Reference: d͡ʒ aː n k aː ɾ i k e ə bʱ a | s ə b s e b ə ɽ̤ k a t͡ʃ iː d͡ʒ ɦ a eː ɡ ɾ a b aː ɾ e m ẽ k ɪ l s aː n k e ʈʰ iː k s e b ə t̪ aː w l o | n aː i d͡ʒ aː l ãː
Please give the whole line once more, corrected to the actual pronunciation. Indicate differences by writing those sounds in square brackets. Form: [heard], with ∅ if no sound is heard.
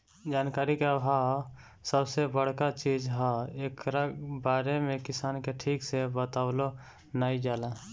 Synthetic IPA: d͡ʒ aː n k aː ɾ i k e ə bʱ a | s ə b s e b ə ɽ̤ k a t͡ʃ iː d͡ʒ ɦ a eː [k] ɾ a b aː ɾ e m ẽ k ɪ [∅] s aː n k e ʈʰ iː k s e b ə t̪ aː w l o | n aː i d͡ʒ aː l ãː